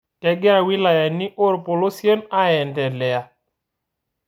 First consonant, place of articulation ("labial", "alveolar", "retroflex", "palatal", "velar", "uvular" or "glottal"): alveolar